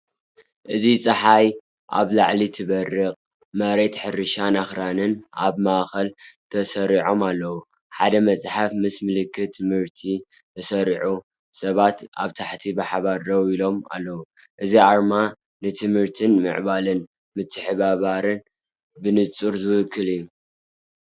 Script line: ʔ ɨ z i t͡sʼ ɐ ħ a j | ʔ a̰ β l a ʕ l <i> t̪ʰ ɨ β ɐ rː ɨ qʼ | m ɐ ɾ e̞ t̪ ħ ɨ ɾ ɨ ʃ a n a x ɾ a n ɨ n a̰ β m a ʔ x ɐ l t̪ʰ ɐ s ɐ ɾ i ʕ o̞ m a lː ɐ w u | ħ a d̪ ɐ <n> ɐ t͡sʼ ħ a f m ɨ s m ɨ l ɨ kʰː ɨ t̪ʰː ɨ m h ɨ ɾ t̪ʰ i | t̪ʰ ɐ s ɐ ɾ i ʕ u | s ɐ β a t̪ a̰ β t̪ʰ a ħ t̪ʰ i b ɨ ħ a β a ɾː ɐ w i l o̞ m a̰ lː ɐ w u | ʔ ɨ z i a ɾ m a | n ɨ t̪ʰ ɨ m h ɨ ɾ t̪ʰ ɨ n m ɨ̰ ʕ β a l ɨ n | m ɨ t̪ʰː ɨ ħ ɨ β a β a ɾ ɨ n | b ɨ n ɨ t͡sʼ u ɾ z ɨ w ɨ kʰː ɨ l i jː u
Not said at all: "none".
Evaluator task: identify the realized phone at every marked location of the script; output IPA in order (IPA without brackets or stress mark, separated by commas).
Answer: i, m